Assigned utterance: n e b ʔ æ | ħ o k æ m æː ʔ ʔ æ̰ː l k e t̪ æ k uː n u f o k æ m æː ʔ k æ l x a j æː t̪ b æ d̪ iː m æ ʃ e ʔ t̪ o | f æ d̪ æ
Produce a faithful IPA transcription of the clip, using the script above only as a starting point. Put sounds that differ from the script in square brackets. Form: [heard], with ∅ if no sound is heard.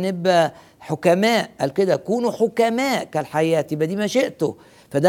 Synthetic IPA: n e b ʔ æ | ħ o k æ m æː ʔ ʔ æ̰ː l k e [d̪] æ k uː n u [ħ] o k æ m æː ʔ k æ l [ħ] a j æː t̪ b æ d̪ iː m æ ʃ e ʔ t̪ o | f æ d̪ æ